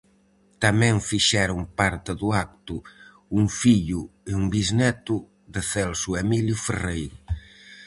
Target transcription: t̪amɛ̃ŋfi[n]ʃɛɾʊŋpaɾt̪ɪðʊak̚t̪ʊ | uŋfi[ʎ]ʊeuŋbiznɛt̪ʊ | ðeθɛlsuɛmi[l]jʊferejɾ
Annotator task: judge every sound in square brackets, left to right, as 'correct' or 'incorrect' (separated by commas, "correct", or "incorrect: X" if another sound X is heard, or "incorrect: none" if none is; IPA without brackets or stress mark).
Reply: incorrect: none, correct, correct